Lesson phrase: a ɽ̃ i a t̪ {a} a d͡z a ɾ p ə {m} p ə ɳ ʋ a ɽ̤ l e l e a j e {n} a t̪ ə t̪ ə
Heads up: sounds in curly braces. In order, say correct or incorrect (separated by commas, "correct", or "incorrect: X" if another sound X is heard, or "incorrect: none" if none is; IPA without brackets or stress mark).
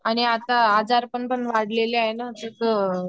correct, incorrect: ɳ, correct